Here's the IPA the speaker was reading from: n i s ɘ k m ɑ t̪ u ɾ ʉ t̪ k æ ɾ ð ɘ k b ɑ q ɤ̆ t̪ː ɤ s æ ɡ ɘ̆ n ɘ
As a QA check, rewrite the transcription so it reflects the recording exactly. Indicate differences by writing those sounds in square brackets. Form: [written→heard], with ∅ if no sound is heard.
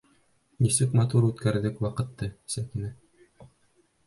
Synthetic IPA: n i s ɘ k m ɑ t̪ u ɾ ʉ t̪ k æ ɾ ð ɘ k [b→w] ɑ q ɤ̆ t̪ː ɤ s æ [ɡ→k] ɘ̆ n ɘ